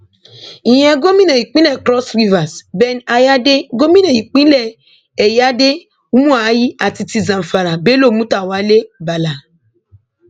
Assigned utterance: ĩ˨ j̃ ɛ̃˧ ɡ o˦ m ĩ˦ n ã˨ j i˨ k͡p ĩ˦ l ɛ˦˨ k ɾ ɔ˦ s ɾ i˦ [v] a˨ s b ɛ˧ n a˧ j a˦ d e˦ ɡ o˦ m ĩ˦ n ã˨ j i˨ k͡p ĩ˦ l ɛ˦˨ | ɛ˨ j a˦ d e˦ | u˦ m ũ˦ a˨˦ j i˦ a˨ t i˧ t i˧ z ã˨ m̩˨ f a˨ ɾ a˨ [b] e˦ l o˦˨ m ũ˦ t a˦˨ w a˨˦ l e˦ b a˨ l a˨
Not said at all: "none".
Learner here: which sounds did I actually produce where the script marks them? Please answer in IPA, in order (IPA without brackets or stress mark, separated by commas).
v, b